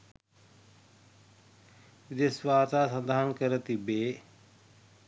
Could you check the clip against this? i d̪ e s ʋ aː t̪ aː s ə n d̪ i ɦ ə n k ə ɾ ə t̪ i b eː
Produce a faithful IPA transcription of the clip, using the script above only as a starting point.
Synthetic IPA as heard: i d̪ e s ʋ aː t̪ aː s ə n d̪ a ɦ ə n k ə ɾ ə t̪ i b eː